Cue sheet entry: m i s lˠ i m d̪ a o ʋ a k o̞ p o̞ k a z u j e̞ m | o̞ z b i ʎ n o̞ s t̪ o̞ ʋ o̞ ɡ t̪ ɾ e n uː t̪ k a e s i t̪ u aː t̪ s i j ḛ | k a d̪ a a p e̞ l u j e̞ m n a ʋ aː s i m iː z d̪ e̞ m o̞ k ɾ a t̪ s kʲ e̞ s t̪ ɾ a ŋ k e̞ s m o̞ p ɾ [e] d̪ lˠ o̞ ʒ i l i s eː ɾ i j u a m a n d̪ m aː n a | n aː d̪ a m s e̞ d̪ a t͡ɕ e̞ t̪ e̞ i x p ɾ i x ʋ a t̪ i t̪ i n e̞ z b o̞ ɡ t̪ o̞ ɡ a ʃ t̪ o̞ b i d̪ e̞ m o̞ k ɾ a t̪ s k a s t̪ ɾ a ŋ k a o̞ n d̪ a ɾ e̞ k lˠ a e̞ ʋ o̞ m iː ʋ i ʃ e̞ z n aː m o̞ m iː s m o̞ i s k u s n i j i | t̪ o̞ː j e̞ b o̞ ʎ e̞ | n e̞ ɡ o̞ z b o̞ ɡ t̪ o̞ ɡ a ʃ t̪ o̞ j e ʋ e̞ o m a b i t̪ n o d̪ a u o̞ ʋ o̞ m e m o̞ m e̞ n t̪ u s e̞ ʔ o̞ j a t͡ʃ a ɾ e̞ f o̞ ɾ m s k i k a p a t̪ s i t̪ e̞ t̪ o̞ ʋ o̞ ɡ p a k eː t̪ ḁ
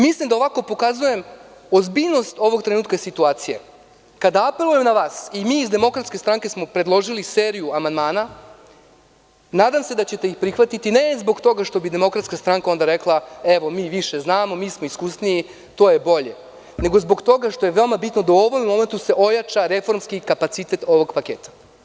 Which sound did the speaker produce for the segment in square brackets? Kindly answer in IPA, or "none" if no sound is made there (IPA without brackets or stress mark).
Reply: e